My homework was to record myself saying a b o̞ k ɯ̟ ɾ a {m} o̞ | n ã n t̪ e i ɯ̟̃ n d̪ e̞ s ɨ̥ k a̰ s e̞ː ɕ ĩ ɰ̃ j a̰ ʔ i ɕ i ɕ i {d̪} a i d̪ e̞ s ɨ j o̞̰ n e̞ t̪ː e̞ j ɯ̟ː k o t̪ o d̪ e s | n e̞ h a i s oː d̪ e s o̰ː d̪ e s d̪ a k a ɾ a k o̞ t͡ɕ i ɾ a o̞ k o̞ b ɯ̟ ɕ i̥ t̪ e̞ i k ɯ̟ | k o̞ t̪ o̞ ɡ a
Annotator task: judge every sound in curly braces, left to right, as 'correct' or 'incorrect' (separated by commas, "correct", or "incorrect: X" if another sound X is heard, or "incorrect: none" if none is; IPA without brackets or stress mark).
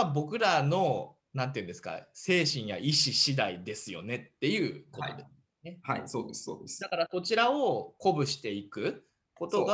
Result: incorrect: n, correct